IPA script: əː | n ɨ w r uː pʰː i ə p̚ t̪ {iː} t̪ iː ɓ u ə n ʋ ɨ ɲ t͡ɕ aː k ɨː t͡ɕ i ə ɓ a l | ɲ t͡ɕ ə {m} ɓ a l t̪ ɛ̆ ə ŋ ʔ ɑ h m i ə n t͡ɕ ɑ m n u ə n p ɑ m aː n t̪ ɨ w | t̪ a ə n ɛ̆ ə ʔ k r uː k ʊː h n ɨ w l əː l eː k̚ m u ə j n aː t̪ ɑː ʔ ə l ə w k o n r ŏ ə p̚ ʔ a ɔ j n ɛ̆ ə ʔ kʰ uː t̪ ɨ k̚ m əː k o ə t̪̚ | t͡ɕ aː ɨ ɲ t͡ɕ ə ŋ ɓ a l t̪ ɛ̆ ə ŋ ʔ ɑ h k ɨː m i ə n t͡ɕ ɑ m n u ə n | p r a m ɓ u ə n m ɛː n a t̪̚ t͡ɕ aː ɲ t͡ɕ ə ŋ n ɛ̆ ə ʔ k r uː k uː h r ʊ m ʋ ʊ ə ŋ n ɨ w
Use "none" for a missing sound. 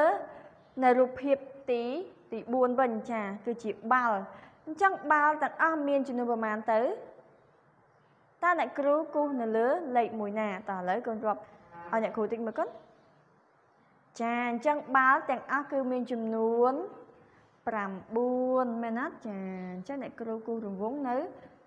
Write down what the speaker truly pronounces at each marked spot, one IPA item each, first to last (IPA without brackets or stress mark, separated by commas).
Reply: iː, ŋ